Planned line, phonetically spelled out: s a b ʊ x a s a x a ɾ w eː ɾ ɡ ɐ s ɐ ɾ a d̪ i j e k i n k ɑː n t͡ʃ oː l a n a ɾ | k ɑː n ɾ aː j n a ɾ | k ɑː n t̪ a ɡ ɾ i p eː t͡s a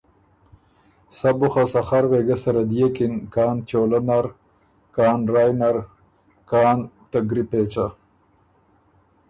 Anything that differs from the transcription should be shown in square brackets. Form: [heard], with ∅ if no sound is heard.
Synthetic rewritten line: s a b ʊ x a s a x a ɾ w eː [∅] ɡ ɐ s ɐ ɾ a d̪ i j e k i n k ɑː n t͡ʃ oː l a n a ɾ | k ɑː n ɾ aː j n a ɾ | k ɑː n t̪ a ɡ ɾ i p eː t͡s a